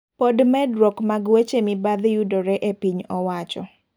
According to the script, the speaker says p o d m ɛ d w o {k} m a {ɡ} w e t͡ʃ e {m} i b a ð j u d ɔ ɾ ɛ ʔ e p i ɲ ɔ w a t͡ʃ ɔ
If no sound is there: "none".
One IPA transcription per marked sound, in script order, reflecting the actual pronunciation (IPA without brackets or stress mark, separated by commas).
k, ɡ, m